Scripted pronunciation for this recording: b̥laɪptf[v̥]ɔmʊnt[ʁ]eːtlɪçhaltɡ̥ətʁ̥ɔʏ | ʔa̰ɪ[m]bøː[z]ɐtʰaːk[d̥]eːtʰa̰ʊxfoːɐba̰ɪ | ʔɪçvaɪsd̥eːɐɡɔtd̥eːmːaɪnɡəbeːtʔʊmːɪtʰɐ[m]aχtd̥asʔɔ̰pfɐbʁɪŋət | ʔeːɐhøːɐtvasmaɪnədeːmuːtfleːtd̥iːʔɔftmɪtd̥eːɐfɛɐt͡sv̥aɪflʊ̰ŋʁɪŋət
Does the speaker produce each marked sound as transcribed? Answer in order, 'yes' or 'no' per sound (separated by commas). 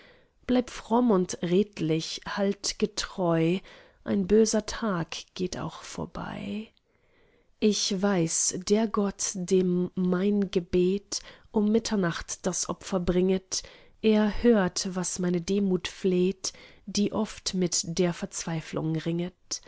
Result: no, yes, no, yes, no, no